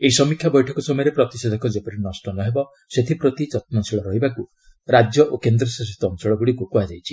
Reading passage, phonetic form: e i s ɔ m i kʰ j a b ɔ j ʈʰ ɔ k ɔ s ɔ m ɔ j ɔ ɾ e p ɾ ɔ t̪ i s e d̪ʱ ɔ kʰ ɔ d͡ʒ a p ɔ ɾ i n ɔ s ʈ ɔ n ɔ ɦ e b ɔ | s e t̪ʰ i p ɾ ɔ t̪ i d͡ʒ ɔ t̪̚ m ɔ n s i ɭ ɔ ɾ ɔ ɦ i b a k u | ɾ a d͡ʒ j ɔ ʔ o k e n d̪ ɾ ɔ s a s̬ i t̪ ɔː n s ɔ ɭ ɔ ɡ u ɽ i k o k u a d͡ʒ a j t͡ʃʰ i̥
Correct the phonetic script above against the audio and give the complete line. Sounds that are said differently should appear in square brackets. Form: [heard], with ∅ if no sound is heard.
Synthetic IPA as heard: e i s ɔ m i kʰ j a b ɔ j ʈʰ ɔ k ɔ s ɔ m ɔ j ɔ ɾ e p ɾ ɔ t̪ i s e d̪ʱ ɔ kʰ ɔ d͡ʒ [e] p ɔ ɾ i n ɔ s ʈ ɔ n ɔ ɦ e b ɔ | s e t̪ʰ i p ɾ ɔ t̪ i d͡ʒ ɔ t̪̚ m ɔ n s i ɭ ɔ ɾ ɔ ɦ i b a k u | ɾ a d͡ʒ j ɔ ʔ o k e n d̪ ɾ ɔ s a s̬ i t̪ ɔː n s ɔ ɭ ɔ ɡ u ɽ i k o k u a d͡ʒ a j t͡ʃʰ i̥